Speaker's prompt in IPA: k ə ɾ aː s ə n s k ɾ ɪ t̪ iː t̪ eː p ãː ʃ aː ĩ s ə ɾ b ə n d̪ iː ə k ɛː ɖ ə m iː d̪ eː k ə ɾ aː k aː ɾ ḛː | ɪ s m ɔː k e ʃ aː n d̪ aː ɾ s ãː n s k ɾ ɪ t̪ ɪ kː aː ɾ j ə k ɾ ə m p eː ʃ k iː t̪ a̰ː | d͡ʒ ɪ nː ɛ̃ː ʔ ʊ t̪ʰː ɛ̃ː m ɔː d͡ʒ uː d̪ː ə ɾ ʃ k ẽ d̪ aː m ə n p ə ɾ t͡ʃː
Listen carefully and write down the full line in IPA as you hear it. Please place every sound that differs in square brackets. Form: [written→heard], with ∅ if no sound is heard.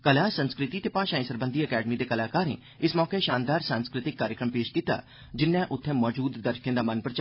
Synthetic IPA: k ə [ɾ→l] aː s ə n s k ɾ ɪ t̪ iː t̪ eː p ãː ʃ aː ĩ s ə ɾ b ə n d̪ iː ə k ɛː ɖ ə m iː d̪ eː k ə [ɾ→l] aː k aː ɾ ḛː | ɪ s m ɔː k e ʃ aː n d̪ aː ɾ s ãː n s k ɾ ɪ t̪ ɪ kː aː ɾ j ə k ɾ ə m p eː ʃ k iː t̪ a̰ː | d͡ʒ ɪ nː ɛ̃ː ʔ ʊ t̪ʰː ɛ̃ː m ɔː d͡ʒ uː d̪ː ə ɾ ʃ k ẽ d̪ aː m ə n p ə ɾ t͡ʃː

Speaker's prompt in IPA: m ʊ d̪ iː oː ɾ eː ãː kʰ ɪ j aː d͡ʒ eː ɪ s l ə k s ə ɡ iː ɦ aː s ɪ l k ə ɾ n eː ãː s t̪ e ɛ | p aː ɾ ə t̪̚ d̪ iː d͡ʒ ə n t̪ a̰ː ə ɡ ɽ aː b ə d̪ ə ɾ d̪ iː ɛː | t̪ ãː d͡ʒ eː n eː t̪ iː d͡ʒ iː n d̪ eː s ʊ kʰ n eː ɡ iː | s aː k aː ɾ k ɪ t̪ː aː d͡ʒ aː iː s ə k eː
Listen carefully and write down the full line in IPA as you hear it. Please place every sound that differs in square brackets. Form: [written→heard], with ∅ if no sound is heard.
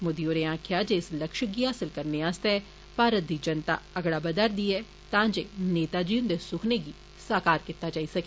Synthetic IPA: m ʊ d̪ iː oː ɾ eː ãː kʰ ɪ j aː d͡ʒ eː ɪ s l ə k [s→ʃ] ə ɡ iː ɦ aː s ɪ l k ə ɾ n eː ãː s t̪ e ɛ | p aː ɾ ə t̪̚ d̪ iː d͡ʒ ə n t̪ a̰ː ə ɡ ɽ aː b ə d̪ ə ɾ d̪ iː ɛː | t̪ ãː d͡ʒ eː n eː t̪ [iː→aː] d͡ʒ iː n d̪ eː s ʊ kʰ n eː ɡ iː | s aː k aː ɾ k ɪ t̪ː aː d͡ʒ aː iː s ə k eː

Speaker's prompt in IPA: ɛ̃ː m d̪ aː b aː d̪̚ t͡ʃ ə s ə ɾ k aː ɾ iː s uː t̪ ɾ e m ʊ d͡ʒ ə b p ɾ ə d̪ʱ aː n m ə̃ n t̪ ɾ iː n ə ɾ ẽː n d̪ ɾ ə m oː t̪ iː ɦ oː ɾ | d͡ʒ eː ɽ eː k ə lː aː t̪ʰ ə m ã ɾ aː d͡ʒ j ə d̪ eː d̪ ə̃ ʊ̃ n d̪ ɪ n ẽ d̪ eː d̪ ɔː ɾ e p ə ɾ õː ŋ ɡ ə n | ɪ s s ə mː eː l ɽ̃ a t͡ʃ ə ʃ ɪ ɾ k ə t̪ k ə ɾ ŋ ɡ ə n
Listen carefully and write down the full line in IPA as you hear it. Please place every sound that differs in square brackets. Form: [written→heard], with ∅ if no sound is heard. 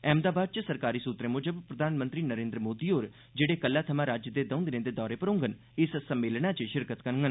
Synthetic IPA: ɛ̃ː m d̪ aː b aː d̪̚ t͡ʃ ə s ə ɾ k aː ɾ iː s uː t̪ ɾ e m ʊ d͡ʒ ə b p ɾ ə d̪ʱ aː n m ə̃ n t̪ ɾ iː n ə ɾ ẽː n d̪ ɾ ə m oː [t̪→d̪] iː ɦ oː ɾ | d͡ʒ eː ɽ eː k ə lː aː t̪ʰ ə m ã ɾ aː d͡ʒ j ə d̪ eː d̪ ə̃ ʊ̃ n d̪ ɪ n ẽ d̪ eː d̪ ɔː ɾ e p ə ɾ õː ŋ ɡ ə n | ɪ s s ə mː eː l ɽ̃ a t͡ʃ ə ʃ ɪ ɾ k ə t̪ k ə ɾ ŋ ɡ ə n

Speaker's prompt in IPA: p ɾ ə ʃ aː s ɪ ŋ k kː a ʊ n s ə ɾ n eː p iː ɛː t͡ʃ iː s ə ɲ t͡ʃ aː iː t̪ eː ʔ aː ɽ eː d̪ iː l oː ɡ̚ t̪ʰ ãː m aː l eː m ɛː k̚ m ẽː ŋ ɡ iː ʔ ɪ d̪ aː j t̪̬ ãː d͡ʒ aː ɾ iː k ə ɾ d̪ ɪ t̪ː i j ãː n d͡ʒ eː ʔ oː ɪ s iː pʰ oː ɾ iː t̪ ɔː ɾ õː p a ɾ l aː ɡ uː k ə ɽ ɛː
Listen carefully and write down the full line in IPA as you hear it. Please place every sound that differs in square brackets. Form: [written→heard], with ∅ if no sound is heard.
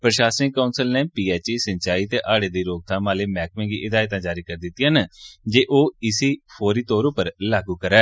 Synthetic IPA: p ɾ ə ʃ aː s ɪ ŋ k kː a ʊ n s ə [ɾ→l] n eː p iː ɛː t͡ʃ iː s ə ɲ t͡ʃ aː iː t̪ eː ʔ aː ɽ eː d̪ iː [l→ɾ] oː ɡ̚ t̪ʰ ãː m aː l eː m ɛː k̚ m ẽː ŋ ɡ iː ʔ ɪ d̪ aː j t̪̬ ãː d͡ʒ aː ɾ iː k ə ɾ d̪ ɪ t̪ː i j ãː n d͡ʒ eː ʔ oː ɪ s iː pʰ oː ɾ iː t̪ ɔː ɾ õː p [a→ə] ɾ l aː ɡ uː k ə [ɽ→ɾ] ɛː

